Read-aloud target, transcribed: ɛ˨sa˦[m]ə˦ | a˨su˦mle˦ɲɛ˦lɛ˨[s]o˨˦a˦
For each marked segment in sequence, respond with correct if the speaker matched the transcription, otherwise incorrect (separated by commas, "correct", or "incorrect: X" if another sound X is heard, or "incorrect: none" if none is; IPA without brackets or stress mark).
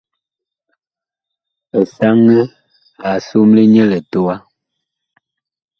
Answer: incorrect: ŋ, incorrect: t